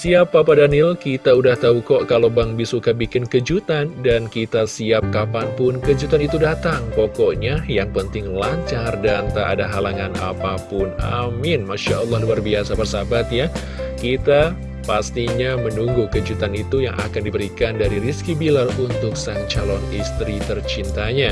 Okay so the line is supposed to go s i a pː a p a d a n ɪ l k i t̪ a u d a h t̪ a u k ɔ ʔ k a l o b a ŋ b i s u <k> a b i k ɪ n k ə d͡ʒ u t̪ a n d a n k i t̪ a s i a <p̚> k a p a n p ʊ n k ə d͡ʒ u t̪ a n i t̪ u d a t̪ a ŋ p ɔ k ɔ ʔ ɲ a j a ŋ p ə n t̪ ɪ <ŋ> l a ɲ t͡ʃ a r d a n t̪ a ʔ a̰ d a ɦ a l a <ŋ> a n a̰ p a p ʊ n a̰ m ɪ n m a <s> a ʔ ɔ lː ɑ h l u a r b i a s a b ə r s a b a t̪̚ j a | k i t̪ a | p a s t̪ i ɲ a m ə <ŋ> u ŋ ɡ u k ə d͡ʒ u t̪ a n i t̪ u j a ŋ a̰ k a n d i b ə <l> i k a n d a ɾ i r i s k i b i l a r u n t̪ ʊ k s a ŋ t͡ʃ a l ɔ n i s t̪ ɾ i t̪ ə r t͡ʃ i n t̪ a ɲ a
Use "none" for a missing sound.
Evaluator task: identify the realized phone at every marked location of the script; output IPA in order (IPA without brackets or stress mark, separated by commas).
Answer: k, p̚, ŋ, ŋ, ʃ, n, ɾ